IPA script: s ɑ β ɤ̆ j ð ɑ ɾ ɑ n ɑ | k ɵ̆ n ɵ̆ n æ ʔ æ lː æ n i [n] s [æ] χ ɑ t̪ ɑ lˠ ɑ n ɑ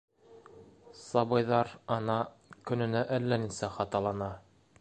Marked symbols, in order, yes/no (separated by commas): yes, yes